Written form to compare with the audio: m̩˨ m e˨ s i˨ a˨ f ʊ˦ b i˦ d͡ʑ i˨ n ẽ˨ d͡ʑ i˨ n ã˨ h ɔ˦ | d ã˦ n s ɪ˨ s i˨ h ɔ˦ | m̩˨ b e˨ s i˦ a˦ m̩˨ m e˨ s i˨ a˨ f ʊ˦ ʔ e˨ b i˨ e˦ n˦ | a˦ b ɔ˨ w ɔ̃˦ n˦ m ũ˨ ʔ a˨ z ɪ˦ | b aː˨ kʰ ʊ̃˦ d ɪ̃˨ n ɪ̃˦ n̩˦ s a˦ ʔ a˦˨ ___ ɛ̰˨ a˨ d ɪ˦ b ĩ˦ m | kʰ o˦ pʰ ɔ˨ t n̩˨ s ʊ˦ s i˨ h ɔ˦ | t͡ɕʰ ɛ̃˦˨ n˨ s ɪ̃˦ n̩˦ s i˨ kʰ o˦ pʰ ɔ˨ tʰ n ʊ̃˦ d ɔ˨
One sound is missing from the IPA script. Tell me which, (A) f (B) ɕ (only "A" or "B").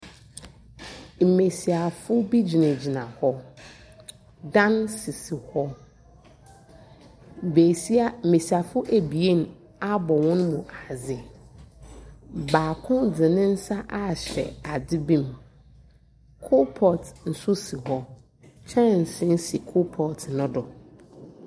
B